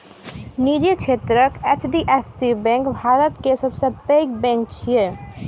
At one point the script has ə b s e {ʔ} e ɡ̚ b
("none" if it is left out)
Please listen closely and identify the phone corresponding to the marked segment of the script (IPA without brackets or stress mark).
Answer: p